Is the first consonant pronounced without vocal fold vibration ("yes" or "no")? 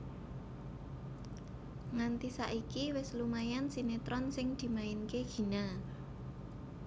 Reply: no